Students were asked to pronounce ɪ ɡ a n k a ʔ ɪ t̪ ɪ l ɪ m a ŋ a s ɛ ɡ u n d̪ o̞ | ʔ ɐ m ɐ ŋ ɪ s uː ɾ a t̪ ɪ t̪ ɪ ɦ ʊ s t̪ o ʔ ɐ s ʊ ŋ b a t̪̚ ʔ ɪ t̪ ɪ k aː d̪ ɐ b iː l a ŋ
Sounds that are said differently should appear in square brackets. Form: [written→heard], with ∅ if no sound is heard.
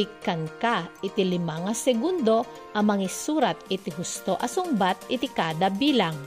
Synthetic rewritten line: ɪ [ɡ→k] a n k a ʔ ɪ t̪ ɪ l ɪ m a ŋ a s ɛ ɡ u n d̪ o̞ | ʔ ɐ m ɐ ŋ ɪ s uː ɾ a t̪ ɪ t̪ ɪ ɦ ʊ s t̪ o ʔ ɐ s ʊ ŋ b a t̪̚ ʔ ɪ t̪ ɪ k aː d̪ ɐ b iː l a ŋ